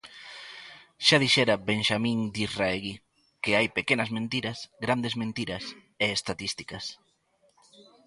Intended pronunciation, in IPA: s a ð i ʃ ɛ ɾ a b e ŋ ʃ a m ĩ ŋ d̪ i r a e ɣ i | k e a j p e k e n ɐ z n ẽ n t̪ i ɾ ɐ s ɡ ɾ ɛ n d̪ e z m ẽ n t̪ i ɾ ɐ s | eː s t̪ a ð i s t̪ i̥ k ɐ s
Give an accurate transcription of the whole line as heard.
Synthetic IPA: ʃ a ð i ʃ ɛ ɾ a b e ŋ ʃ a m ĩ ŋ d̪ i r a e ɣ i | k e a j p e k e n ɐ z m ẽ n t̪ i ɾ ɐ s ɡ ɾ a n d̪ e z m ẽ n t̪ i ɾ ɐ s | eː s t̪ a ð i s t̪ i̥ k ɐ s